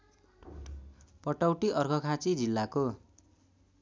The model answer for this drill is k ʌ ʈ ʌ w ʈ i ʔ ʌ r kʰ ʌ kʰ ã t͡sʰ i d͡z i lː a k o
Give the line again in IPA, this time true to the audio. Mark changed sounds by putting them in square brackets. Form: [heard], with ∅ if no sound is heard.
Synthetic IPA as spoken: [p] ʌ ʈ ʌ w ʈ i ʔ ʌ r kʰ ʌ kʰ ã [t͡s] i d͡z i lː a k o